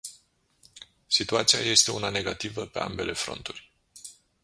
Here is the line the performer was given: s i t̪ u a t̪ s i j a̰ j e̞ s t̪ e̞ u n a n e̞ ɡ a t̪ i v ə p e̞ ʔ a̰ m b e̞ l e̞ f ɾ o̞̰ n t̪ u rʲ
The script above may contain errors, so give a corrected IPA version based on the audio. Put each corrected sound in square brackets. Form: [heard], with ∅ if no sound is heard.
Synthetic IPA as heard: s i t̪ u a t̪ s i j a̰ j e̞ s t̪ e̞ u n a n e̞ ɡ a t̪ i v ə p e̞ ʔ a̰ m b e̞ l e̞ f ɾ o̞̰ n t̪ u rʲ